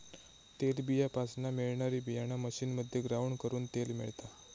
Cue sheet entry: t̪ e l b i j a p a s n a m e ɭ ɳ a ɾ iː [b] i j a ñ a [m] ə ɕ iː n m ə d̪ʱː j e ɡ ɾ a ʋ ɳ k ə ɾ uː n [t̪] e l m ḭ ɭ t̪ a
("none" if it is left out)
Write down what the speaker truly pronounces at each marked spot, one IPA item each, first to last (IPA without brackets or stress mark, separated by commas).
b, m, t̪